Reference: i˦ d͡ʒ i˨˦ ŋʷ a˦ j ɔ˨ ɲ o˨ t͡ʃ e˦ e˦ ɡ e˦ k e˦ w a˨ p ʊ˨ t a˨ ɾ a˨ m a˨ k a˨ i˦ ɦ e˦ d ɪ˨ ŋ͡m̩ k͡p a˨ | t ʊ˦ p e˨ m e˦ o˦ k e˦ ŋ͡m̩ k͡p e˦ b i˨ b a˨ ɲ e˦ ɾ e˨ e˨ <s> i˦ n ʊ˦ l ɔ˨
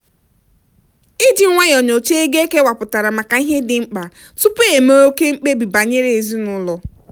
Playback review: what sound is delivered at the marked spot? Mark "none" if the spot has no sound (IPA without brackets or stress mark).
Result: z